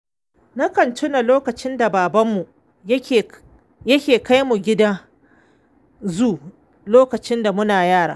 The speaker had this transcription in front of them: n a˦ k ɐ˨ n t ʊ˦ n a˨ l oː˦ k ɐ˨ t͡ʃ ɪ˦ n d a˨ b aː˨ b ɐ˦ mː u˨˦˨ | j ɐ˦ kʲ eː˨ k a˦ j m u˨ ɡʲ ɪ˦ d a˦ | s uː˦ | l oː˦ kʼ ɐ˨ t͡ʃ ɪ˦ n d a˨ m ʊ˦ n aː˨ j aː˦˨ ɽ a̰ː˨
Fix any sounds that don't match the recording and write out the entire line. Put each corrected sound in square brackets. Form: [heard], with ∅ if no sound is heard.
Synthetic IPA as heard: n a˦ k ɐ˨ n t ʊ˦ n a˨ l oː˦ k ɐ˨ t͡ʃ ɪ˦ n d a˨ b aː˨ b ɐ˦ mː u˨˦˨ | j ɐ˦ kʲ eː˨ k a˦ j m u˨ ɡʲ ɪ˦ d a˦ | [z] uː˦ | l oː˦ [k] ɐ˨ t͡ʃ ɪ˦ n d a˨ m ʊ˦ n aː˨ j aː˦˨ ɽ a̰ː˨